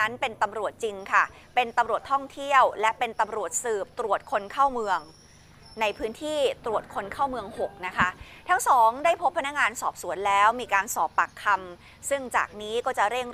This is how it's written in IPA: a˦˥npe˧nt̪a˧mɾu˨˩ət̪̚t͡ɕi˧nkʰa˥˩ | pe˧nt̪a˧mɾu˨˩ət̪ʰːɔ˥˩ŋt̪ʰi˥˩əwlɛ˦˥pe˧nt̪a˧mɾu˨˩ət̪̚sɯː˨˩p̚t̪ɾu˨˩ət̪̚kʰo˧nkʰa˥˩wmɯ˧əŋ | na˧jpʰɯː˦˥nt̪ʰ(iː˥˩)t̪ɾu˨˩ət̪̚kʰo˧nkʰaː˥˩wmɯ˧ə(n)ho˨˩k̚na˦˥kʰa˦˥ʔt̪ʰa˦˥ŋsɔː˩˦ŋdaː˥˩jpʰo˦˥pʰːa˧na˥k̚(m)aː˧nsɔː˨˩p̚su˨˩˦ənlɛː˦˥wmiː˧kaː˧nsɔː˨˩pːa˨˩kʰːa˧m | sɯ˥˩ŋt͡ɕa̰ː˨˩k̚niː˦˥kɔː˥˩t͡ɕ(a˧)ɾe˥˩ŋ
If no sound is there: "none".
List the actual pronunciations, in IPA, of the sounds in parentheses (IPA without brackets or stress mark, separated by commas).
iː˥˩, ŋ, ŋ, a˨˩